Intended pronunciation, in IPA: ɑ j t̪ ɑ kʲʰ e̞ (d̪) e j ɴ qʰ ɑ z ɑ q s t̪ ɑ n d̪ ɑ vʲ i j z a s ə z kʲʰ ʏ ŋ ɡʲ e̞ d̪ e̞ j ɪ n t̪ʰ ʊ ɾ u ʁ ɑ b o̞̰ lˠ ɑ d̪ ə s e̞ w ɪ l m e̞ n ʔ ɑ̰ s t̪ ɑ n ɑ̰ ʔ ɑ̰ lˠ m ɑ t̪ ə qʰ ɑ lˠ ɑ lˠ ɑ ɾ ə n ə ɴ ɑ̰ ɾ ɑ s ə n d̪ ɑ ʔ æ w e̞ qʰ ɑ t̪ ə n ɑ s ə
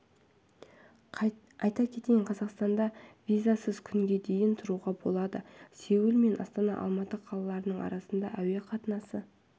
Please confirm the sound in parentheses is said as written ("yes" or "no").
no